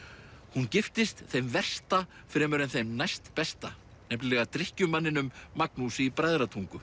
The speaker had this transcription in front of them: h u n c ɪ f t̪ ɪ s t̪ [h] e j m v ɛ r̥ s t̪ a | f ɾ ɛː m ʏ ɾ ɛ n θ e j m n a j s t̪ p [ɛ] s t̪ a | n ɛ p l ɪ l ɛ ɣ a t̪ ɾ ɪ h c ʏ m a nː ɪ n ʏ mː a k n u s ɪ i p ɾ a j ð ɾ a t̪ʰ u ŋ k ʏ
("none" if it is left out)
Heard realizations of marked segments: θ, ɛ

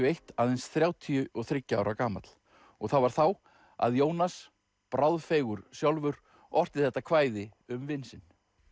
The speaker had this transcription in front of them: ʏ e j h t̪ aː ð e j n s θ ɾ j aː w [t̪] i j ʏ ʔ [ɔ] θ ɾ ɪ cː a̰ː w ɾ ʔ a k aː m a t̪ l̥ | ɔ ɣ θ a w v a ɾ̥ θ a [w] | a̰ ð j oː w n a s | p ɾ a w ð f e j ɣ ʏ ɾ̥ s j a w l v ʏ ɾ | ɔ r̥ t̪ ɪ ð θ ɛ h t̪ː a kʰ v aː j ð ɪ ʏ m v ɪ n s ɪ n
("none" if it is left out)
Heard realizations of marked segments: t̪ʰ, ɔ, w

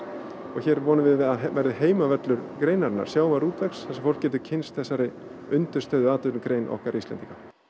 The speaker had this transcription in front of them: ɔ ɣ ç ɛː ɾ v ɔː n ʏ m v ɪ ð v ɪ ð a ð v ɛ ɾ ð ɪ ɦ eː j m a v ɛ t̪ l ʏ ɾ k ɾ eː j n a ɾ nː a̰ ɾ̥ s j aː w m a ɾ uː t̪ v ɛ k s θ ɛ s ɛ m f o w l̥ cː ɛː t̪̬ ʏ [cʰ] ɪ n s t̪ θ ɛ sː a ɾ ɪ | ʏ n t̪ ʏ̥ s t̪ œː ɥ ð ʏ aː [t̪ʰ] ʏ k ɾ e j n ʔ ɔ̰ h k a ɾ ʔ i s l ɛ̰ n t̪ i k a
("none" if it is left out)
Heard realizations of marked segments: cʰ, t̪

